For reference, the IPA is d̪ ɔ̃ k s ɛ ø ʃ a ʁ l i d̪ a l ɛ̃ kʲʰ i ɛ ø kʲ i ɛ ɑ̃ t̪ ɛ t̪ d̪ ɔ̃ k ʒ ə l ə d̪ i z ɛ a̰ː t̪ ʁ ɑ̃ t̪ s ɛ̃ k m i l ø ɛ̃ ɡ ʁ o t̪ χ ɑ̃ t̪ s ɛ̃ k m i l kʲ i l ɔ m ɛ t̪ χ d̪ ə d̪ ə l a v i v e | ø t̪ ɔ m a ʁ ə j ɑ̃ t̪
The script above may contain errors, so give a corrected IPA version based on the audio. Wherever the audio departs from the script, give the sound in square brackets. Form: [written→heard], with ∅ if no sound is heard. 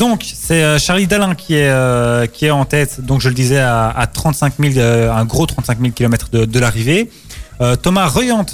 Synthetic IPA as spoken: d̪ ɔ̃ k s ɛ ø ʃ a ʁ l i d̪ a l ɛ̃ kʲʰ i ɛ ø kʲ i ɛ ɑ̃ t̪ ɛ t̪ d̪ ɔ̃ k ʒ ə l ə d̪ i z ɛ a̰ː t̪ [ʁ→χ] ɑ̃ t̪ s ɛ̃ k m i l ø ɛ̃ ɡ ʁ o t̪ χ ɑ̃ t̪ s ɛ̃ k m i l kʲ i l ɔ m ɛ t̪ χ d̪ ə d̪ ə l a [v→ʁ] i v e | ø t̪ ɔ m a ʁ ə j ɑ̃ t̪